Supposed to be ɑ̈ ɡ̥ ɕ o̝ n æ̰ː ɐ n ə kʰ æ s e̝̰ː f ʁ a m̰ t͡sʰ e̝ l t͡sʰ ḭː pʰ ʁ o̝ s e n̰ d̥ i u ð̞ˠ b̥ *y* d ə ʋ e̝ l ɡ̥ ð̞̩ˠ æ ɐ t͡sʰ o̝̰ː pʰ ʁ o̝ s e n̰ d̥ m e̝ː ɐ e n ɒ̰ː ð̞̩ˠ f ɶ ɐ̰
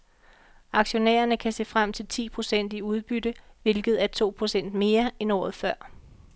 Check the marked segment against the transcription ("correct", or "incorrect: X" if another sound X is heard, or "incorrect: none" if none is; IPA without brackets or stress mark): correct